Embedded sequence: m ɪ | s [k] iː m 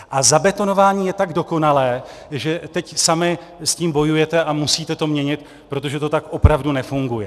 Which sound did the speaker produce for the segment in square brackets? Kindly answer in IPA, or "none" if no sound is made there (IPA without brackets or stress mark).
c